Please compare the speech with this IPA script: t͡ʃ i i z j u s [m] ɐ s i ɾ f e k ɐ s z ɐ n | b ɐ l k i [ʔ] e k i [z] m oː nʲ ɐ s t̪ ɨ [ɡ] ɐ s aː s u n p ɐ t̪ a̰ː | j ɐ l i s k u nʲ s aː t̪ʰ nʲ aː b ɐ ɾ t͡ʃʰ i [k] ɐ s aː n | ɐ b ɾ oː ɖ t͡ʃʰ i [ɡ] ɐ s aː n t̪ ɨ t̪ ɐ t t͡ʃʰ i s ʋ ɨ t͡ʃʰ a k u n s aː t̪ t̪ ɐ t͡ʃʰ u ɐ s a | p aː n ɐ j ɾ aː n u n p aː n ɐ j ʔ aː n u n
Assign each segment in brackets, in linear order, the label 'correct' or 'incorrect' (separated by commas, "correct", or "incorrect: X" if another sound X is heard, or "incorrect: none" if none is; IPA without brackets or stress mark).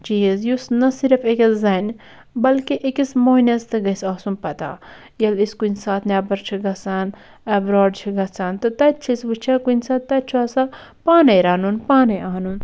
incorrect: n, correct, incorrect: s, correct, incorrect: ɡ, correct